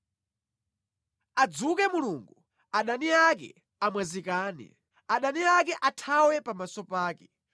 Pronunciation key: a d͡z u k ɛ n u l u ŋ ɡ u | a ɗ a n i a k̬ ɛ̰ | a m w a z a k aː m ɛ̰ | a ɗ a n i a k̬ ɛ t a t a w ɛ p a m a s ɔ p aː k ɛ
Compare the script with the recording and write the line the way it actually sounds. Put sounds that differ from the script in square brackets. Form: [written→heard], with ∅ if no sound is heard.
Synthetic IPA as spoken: a d͡z u k ɛ [n→m] u l u ŋ ɡ u | a ɗ a n i a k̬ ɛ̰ | a m w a z [a→i] k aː [m→n] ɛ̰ | a ɗ a n i a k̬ ɛ [t→ʔ] a [t→tʰ] a w ɛ p a m a s ɔ p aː k ɛ